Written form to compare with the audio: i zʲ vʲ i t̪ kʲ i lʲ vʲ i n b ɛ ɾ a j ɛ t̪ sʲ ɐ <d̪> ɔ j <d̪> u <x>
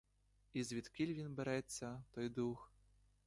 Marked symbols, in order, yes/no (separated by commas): no, yes, yes